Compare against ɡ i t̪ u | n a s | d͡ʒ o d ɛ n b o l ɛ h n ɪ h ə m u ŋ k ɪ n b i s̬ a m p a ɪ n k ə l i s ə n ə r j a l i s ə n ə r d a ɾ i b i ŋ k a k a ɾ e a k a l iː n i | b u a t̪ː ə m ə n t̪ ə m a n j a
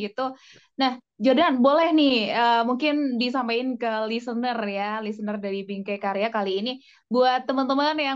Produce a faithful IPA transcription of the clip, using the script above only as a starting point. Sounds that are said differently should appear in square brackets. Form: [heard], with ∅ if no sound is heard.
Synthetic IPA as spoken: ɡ i t̪ u | n a [h] | d͡ʒ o d [a] n b o l ɛ h n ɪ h ə m u ŋ k ɪ n [d] i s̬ a m p a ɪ n k ə l i s ə n ə r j a l i s ə n ə r d a ɾ i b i ŋ k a k a ɾ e a k a l iː n i | b u a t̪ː ə m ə n t̪ ə m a n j a

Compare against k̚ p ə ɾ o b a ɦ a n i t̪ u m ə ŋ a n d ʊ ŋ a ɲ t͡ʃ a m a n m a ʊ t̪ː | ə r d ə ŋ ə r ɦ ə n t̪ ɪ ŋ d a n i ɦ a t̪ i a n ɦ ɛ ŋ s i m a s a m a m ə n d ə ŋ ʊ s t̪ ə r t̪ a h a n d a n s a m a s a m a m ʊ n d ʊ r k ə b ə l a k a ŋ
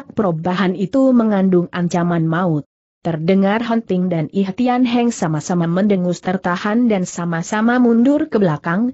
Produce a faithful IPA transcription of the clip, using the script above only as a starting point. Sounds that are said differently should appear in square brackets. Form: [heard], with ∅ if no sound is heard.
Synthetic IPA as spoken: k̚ p ə ɾ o b a ɦ a n i t̪ u m ə ŋ a n d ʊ ŋ a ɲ t͡ʃ a m a n m a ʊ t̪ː | ə r d ə ŋ [a] r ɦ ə n t̪ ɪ ŋ d a n i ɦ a t̪ i a n ɦ ɛ ŋ s [a] m a s a m a m ə n d ə ŋ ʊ s t̪ ə r t̪ a h a n d a n s a m a s a m a m [u] n d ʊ r k ə b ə l a k a ŋ

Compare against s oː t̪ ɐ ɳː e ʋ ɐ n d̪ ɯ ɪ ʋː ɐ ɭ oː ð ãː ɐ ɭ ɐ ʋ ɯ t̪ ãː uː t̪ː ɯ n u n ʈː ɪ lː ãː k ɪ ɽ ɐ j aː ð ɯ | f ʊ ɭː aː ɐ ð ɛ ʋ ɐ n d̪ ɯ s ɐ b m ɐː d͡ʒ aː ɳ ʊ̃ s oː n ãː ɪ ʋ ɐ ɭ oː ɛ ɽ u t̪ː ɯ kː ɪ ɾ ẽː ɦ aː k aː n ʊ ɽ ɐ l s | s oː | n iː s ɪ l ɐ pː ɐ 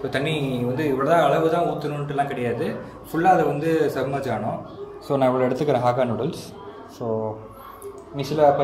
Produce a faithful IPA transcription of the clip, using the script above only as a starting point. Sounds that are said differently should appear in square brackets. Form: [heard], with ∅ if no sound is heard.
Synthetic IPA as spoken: s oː t̪ ɐ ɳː [i] ʋ ɐ n d̪ ɯ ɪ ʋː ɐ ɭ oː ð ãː ɐ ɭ ɐ ʋ ɯ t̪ ãː uː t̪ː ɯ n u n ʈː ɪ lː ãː k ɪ ɽ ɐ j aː ð ɯ | f ʊ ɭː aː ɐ ð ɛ ʋ ɐ n d̪ ɯ s ɐ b m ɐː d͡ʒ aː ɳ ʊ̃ s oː n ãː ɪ ʋ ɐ ɭ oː ɛ ɽ [ɯ] t̪ː ɯ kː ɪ ɾ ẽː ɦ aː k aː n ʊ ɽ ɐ l s | s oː | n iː s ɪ l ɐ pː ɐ

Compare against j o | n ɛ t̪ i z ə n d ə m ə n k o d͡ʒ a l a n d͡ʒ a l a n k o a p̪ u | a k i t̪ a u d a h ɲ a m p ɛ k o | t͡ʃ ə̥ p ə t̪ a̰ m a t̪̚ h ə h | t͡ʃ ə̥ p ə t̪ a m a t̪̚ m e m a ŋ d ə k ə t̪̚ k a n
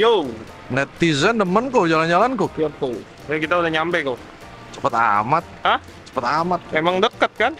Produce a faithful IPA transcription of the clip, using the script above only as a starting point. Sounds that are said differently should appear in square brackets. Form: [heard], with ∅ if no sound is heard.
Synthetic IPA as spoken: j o | n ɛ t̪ i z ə n d ə m ə n k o d͡ʒ a l a n d͡ʒ a l a n k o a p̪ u | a k i t̪ a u d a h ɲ a m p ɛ k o | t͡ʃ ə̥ p ə t̪ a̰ m a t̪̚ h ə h | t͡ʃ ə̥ p ə t̪ a m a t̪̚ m e m a ŋ d ə k ə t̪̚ k a n

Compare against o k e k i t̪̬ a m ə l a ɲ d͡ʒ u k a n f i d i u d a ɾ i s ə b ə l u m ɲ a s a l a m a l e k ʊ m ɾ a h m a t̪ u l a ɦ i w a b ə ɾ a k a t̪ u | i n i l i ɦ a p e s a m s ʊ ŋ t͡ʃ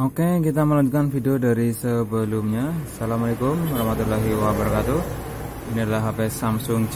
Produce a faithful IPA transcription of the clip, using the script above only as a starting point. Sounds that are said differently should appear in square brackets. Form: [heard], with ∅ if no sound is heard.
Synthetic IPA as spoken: o k e k i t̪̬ a m ə l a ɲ d͡ʒ u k a n f i d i [o] d a ɾ i s ə b ə l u m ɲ a s a l a m a l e k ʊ m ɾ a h m a t̪ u l a ɦ i w a b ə ɾ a k a t̪ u | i n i l [a] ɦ a p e s a m s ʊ ŋ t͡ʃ

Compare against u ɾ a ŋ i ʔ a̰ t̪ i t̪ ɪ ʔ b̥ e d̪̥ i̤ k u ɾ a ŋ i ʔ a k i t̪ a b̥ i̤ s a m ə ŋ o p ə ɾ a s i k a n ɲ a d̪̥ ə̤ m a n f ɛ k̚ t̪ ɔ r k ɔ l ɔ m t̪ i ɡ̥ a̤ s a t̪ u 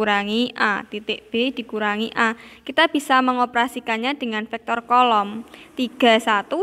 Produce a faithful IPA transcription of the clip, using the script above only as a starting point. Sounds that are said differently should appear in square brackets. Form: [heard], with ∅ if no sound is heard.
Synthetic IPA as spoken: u ɾ a ŋ i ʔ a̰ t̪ i t̪ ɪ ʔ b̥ e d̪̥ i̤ k u ɾ a ŋ i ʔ a k i t̪ a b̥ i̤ s a m ə ŋ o p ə ɾ a s i k a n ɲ a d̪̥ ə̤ [ŋ] a n f ɛ k̚ t̪ ɔ r k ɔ l ɔ m t̪ i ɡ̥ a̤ s a t̪ u

